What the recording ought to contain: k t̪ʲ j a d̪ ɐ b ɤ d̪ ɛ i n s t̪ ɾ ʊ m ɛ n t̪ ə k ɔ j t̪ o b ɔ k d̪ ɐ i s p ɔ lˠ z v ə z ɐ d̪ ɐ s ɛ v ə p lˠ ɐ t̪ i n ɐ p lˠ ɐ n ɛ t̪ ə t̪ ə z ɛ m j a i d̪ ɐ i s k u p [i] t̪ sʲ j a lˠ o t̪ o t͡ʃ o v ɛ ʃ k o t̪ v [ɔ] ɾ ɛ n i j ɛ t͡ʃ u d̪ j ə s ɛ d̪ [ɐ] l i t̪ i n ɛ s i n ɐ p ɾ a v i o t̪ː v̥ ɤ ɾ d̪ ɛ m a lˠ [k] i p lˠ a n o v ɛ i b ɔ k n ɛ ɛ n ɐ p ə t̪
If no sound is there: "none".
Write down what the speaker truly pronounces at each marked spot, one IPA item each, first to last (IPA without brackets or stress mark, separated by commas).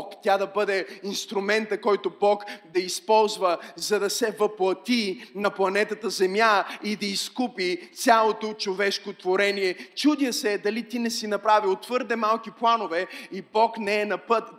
i, o, ɐ, k